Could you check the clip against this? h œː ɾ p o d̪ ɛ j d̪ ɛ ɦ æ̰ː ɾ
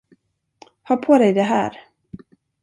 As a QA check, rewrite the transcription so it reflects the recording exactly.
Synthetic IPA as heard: h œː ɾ pʰ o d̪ ɛ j d̪ ɛ ɦ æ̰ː ɾ